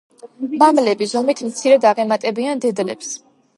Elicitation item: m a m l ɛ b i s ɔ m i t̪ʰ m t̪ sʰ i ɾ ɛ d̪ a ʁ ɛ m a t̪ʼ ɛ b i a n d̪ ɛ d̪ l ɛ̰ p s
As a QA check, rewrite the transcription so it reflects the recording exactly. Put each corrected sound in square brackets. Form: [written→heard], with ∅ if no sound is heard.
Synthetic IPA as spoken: m a m l ɛ b i [s→z] ɔ m i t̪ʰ m t̪ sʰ i ɾ ɛ d̪ a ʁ ɛ m a t̪ʼ ɛ b i a n d̪ ɛ d̪ l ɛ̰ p s